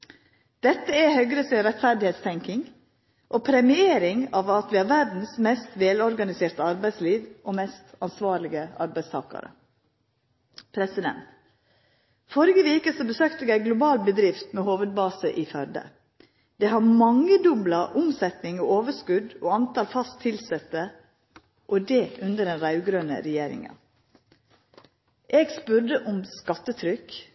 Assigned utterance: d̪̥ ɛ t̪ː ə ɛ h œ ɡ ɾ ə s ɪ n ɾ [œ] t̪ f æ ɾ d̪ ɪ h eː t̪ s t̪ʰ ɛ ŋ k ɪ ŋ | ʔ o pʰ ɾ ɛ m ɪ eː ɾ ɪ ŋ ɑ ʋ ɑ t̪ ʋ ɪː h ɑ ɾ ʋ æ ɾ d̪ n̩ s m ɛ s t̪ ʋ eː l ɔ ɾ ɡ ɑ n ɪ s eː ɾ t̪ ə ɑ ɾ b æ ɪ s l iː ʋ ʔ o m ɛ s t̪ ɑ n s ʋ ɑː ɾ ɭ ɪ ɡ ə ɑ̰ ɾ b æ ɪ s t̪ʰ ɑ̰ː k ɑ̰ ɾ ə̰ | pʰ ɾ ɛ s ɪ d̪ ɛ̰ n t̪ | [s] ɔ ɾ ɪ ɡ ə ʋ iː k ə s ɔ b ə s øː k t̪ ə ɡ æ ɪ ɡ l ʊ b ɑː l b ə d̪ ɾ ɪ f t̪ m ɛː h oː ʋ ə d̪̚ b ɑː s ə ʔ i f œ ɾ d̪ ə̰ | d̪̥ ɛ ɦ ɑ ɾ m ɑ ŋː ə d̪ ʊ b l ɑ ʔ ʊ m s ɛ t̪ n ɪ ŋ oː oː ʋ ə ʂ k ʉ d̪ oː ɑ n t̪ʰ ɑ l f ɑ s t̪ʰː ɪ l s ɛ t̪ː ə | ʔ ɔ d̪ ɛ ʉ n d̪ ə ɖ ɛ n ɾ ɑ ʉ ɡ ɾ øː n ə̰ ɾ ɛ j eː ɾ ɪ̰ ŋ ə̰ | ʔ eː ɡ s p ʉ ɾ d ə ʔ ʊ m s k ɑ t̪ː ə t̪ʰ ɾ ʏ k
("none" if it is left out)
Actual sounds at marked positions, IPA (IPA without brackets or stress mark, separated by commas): ɛ, f